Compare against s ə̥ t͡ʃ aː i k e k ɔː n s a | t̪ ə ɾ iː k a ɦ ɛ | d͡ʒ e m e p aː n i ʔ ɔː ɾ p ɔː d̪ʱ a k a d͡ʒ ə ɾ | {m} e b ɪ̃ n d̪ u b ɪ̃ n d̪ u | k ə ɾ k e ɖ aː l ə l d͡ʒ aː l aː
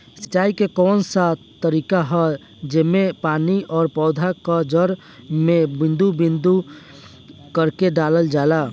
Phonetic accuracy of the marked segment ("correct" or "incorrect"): correct